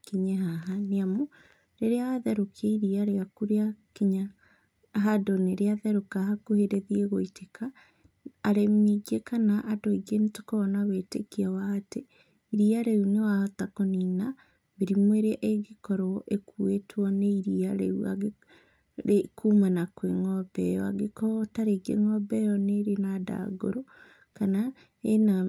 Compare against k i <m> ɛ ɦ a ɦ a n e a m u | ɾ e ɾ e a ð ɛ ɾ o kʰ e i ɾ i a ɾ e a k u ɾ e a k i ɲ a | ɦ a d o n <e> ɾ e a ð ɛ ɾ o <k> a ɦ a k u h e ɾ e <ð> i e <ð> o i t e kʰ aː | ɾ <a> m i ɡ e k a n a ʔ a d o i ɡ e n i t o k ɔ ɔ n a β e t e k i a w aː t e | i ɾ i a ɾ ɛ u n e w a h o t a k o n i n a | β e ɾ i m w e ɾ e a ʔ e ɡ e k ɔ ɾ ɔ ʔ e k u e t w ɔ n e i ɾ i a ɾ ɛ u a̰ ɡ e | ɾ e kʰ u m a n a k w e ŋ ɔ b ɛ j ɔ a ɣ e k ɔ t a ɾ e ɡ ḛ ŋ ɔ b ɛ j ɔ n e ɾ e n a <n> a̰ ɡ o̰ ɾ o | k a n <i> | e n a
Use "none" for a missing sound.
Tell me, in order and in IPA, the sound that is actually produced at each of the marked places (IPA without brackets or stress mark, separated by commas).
ɲ, e, k, ð, ɣ, e, d, a